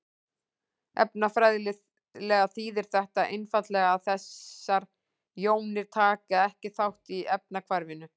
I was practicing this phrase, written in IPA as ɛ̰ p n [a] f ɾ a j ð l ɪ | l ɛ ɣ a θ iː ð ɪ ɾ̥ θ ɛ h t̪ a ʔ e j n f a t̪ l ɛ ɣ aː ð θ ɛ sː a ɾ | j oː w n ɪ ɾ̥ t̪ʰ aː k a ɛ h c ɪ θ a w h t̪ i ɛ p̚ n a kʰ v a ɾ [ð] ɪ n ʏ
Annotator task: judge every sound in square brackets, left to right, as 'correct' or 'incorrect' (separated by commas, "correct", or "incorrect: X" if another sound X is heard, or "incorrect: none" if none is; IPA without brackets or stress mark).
correct, incorrect: v